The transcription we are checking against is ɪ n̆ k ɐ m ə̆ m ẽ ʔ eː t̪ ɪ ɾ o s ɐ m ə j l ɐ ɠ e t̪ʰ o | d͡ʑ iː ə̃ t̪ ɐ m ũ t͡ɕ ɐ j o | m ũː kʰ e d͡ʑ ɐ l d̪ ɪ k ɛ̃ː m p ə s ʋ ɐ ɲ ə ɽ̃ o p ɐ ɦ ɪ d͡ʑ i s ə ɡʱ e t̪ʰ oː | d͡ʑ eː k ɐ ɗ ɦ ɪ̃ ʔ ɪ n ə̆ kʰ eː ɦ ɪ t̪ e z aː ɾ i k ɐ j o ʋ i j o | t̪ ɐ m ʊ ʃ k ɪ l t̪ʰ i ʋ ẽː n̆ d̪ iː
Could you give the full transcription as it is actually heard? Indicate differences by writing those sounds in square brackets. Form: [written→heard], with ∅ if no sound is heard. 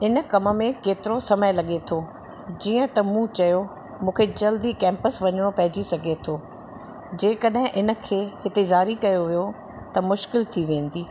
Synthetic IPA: ɪ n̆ k ɐ m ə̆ m ẽ [ʔ→k] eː t̪ ɪ ɾ o s ɐ m ə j l ɐ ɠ e t̪ʰ o | d͡ʑ iː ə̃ t̪ ɐ m ũ t͡ɕ ɐ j o | m ũː kʰ e d͡ʑ ɐ l d̪ [ɪ→i] k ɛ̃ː m p ə s ʋ ɐ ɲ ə ɽ̃ o p ɐ ɦ ɪ d͡ʑ i s [ə→ɐ] ɡʱ e t̪ʰ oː | d͡ʑ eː k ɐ ɗ ɦ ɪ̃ ʔ ɪ n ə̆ kʰ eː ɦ ɪ t̪ e z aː ɾ i k ɐ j o ʋ i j o | t̪ ɐ m ʊ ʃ k ɪ l t̪ʰ i ʋ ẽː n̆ d̪ iː